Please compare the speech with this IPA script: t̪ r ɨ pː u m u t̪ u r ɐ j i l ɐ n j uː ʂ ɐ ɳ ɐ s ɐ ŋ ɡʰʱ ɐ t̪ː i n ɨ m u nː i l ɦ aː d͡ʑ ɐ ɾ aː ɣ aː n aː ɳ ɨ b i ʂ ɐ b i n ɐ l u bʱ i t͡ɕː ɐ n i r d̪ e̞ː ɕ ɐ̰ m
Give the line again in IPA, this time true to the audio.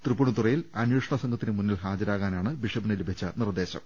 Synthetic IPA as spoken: t̪ r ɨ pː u ɳ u t̪ u r ɐ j i l ɐ n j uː ʂ ɐ ɳ ɐ s ɐ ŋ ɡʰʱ ɐ t̪ː i n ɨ m u nː i l ɦ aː d͡ʑ ɐ ɾ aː ɣ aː n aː ɳ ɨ b i ʂ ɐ b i n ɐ l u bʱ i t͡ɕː ɐ n i r d̪ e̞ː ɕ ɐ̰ m